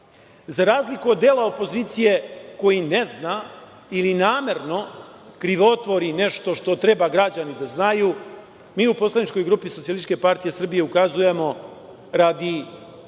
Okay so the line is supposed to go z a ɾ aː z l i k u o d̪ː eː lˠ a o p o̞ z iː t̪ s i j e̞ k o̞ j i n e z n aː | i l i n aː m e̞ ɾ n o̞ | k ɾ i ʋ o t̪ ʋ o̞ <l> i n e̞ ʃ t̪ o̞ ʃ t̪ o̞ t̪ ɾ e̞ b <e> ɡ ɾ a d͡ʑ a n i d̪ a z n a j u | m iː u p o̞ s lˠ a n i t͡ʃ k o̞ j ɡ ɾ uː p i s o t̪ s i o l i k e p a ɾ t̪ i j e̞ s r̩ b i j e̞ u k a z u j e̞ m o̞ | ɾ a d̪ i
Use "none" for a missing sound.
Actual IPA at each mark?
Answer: ɾ, a

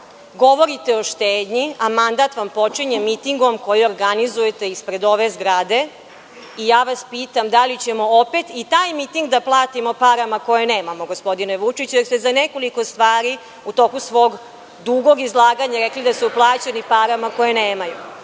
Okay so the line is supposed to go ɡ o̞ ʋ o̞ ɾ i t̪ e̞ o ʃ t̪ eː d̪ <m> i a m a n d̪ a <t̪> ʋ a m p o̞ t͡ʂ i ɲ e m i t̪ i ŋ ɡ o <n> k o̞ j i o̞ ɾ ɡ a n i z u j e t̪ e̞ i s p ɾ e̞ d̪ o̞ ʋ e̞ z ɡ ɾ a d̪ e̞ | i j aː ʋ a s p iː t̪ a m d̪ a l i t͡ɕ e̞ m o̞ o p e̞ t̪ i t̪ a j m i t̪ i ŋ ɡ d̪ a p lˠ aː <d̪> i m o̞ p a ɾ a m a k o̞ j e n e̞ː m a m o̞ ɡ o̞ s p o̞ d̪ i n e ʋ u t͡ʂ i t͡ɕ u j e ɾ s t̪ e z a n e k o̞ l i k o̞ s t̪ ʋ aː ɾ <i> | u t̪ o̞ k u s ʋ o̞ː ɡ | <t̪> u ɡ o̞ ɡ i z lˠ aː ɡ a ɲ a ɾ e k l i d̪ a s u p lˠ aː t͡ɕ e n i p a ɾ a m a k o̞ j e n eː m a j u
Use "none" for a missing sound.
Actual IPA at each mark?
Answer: ɲ, t̪, m, t̪, i, d̪

